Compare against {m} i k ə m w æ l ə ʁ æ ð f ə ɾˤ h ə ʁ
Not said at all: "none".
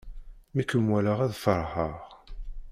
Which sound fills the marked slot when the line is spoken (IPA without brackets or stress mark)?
m